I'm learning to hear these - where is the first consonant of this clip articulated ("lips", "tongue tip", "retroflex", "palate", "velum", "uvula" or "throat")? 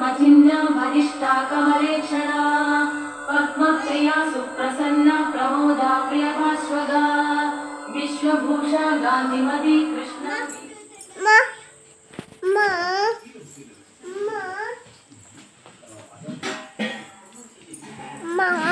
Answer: lips